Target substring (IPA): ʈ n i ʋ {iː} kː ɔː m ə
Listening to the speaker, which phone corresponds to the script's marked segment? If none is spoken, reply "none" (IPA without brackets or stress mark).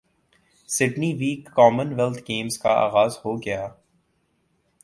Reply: iː